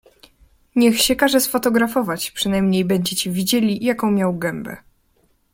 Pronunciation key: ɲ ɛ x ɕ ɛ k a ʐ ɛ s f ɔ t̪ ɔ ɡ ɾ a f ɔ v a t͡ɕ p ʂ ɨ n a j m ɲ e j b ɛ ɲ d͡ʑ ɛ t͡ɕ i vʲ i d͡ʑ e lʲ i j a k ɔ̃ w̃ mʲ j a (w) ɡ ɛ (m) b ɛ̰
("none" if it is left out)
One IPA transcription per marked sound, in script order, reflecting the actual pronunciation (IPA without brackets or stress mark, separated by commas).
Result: w, m